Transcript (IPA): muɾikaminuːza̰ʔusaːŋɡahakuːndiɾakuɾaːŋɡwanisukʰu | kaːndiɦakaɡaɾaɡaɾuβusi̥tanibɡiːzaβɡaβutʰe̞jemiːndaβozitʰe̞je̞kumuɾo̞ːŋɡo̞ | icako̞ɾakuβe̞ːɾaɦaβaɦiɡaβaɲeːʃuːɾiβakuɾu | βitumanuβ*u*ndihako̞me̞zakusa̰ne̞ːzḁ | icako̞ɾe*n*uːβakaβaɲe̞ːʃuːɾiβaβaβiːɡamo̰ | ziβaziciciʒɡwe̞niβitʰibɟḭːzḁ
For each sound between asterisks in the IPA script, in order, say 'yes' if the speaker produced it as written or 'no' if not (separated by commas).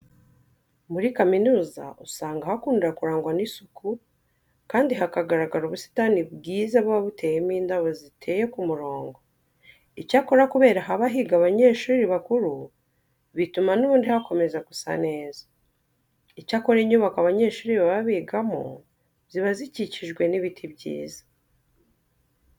no, no